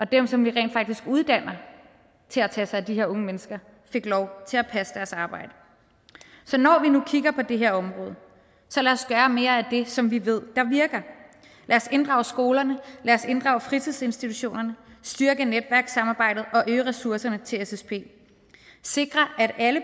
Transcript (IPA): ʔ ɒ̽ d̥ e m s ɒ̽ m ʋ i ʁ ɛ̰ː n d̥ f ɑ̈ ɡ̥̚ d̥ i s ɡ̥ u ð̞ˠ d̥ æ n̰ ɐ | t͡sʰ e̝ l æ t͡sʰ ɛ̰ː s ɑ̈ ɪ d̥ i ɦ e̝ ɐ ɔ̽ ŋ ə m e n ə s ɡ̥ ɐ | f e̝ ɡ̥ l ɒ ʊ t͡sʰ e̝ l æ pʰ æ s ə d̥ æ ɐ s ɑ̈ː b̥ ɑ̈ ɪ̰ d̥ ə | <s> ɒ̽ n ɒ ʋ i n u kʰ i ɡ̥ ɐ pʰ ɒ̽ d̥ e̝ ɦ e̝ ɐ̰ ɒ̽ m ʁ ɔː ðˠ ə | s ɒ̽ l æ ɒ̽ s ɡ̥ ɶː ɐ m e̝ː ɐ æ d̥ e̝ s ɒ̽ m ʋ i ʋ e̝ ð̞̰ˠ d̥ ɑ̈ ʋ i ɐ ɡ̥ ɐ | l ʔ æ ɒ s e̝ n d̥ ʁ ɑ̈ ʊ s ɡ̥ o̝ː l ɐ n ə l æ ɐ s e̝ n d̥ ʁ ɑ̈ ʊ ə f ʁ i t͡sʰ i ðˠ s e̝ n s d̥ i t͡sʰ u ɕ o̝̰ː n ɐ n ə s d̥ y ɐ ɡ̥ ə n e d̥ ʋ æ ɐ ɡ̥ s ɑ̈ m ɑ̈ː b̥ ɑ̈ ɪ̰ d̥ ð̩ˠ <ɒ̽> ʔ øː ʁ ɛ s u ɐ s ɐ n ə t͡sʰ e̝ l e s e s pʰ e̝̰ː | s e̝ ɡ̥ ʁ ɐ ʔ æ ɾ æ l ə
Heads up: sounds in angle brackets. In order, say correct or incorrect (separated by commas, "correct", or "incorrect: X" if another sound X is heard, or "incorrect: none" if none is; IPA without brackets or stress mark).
correct, correct